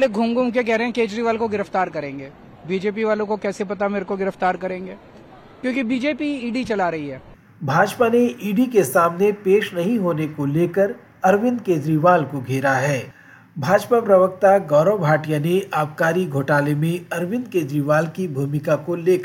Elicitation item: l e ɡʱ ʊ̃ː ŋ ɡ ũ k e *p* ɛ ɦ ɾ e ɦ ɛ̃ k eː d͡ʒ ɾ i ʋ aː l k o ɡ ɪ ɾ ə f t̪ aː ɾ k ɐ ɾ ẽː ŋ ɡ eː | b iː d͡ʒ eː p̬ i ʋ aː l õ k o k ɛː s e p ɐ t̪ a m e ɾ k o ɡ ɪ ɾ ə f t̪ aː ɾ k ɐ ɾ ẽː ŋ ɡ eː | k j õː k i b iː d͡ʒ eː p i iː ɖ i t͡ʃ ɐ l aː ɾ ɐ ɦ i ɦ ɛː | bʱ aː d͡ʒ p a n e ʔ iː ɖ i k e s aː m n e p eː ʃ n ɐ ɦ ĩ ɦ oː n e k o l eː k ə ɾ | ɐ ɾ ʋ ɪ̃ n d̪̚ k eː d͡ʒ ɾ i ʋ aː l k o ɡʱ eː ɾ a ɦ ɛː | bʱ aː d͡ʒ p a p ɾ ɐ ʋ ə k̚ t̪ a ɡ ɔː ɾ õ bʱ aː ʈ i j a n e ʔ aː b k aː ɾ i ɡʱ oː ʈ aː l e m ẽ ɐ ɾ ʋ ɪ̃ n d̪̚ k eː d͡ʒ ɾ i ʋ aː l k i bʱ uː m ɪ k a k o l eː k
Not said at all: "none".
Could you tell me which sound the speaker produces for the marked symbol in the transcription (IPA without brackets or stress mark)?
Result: k